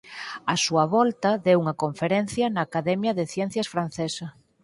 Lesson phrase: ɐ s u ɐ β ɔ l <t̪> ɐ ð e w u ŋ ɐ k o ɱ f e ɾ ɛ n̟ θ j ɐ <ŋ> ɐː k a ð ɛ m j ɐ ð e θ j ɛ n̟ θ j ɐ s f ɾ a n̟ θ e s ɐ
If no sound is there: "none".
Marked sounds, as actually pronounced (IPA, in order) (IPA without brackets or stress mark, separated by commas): t̪, n